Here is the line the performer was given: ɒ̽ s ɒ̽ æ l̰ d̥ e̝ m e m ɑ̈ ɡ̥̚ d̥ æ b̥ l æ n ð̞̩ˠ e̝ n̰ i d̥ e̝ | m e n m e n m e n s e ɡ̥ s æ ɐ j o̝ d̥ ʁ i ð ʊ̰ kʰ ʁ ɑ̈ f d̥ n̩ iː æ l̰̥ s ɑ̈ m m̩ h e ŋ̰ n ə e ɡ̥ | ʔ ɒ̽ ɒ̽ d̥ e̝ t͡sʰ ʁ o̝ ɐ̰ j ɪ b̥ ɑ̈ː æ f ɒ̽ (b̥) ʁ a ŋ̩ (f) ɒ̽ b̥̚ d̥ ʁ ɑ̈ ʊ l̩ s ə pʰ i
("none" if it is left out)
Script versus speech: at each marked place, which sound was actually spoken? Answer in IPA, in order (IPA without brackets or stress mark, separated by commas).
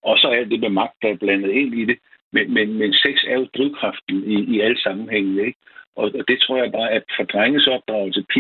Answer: d̥, s